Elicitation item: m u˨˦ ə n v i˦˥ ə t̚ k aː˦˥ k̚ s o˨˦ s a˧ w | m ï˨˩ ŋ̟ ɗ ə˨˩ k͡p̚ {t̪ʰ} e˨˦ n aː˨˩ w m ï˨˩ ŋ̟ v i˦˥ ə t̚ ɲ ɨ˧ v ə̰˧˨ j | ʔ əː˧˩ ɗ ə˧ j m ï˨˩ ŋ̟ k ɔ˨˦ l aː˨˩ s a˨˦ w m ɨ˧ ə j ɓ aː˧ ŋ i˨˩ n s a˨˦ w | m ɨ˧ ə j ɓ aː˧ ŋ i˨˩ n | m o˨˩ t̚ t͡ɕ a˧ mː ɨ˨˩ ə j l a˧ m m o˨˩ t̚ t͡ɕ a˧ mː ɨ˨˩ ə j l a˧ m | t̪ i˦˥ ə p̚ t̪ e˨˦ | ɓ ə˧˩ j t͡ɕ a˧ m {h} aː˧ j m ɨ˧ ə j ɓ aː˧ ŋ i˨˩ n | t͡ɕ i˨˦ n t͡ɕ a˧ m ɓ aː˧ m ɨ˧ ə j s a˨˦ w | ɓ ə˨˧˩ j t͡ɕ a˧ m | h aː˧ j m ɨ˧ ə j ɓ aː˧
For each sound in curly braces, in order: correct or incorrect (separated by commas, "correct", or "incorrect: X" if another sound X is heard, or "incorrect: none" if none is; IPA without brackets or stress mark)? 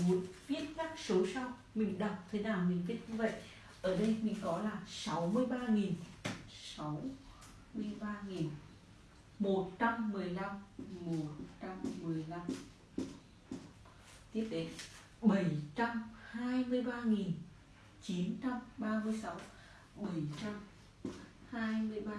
correct, correct